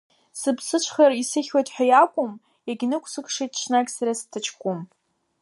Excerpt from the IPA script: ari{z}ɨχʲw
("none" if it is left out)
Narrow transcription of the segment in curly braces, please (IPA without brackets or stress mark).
s